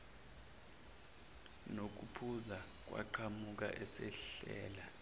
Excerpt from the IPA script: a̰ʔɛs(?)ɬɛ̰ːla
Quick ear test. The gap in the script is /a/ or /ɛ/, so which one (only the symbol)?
ɛ